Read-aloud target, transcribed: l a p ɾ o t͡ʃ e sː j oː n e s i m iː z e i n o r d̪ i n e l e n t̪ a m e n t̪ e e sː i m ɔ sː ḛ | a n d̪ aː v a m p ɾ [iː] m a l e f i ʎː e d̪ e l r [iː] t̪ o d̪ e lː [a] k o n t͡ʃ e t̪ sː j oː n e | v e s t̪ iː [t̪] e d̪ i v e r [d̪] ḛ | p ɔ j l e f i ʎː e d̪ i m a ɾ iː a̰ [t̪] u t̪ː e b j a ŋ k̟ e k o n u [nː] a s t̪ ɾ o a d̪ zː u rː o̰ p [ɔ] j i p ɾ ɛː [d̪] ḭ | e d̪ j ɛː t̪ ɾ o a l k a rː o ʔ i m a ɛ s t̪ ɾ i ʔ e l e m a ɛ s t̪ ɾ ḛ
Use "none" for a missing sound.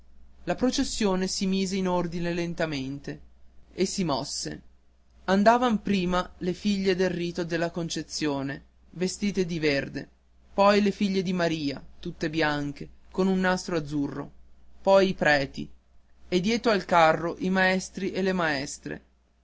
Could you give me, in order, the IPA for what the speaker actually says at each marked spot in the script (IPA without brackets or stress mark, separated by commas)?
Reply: iː, iː, a, t̪, d̪, t̪, nː, ɔ, t̪